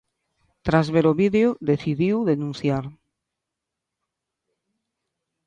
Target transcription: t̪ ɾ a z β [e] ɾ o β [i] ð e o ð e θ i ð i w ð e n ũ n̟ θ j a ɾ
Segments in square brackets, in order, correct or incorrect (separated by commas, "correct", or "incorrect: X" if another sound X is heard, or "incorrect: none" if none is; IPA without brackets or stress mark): correct, correct